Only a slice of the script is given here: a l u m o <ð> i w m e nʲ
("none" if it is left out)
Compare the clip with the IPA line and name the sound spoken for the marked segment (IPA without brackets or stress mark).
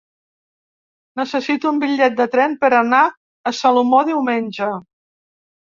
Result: ð